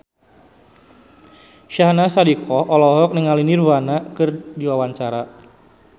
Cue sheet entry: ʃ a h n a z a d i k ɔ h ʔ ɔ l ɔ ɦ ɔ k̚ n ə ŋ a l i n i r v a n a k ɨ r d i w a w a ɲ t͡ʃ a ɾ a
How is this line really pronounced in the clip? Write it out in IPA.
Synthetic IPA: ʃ a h n a s a d i k ɔ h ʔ ɔ l ɔ ɦ ɔ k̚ n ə ŋ a l i n i r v a n a k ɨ r d i w a w a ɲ t͡ʃ a ɾ a